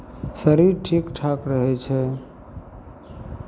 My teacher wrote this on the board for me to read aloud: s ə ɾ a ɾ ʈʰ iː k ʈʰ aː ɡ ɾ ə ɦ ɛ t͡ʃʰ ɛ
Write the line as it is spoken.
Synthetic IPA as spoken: s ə ɾ i ɾ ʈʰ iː k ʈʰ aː k ɾ ə ɦ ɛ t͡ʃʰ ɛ